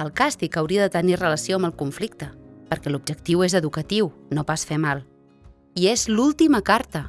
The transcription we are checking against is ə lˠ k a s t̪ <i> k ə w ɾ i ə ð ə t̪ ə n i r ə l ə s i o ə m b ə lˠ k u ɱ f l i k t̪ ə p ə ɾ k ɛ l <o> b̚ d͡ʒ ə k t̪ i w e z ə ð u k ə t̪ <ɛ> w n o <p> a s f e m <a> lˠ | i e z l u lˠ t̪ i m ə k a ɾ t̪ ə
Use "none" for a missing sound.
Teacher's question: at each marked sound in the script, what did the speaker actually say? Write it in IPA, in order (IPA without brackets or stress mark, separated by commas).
i, u, i, p, a